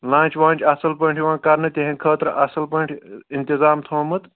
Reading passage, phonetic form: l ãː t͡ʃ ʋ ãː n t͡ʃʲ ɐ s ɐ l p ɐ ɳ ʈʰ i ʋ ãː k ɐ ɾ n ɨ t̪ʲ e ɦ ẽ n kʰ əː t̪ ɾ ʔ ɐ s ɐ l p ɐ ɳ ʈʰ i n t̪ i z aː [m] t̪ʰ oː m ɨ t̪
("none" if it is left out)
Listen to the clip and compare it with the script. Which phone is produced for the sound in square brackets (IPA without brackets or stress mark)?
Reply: m